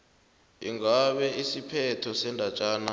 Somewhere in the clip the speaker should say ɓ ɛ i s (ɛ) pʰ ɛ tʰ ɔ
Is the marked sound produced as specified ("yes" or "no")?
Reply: no